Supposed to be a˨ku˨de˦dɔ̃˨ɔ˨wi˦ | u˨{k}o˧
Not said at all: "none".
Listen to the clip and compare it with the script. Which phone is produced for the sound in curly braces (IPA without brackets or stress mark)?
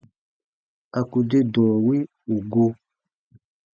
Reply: ɡ